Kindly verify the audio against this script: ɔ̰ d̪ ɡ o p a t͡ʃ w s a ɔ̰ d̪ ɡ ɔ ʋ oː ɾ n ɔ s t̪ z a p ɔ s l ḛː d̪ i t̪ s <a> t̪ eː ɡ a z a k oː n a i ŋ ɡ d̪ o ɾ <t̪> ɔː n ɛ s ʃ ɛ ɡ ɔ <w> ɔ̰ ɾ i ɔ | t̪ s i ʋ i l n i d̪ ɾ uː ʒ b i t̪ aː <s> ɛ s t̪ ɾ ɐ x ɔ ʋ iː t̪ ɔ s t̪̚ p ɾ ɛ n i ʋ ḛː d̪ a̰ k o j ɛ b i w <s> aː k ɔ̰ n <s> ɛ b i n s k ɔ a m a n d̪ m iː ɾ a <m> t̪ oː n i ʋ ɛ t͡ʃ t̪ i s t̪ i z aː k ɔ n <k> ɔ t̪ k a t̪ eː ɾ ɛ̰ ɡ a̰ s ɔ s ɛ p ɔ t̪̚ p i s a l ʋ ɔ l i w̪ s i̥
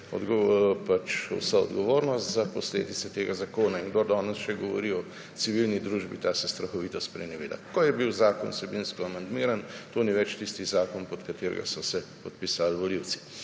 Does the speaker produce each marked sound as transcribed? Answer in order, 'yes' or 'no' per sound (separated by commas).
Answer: no, no, no, yes, no, yes, no, no